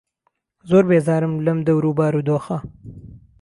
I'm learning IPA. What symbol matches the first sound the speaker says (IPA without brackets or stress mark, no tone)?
z